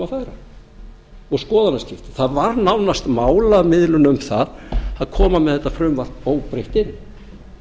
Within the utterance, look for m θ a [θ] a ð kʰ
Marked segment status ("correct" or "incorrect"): incorrect